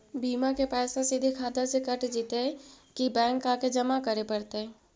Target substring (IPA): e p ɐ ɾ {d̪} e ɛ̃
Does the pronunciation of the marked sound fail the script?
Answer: yes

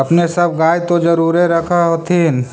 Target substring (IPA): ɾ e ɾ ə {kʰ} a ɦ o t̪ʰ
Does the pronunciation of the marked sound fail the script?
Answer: no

